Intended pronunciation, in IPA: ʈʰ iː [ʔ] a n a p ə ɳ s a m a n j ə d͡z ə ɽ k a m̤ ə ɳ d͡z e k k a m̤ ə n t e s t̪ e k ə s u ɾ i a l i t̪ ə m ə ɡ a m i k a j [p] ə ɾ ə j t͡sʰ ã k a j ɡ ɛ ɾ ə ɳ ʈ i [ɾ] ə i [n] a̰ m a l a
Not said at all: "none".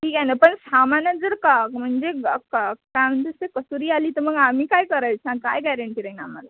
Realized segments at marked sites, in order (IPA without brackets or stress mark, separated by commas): k, k, ɾ, n